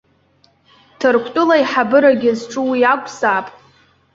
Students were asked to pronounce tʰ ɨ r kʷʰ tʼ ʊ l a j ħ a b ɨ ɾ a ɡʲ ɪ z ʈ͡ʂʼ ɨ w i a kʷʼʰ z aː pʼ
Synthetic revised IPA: tʰ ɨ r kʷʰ tʼ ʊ l a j ħ a b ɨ ɾ a ɡʲ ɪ z ʈ͡ʂʼ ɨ w i a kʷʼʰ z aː pʼ